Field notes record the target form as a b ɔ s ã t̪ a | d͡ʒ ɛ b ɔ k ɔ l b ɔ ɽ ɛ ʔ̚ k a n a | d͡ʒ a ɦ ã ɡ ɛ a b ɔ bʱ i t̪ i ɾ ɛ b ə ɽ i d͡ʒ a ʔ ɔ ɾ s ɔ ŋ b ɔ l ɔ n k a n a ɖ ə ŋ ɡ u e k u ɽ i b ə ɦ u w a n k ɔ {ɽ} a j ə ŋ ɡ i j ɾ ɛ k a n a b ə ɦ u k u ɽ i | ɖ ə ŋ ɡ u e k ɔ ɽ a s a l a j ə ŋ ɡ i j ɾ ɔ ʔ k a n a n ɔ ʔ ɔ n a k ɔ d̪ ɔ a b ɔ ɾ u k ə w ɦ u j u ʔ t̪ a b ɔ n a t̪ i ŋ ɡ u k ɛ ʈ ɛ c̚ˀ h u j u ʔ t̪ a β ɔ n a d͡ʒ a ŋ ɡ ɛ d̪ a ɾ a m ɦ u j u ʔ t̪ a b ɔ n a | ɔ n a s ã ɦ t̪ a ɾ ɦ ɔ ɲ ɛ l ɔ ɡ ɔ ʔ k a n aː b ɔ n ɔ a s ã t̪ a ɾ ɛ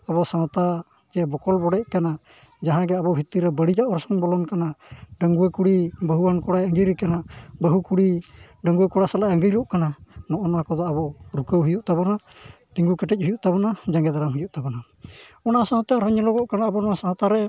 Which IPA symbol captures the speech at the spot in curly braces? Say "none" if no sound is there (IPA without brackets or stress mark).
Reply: ɽ